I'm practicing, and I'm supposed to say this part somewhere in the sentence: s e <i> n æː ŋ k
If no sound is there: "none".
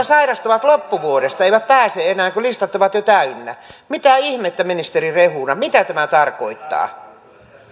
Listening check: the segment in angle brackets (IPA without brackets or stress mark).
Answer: e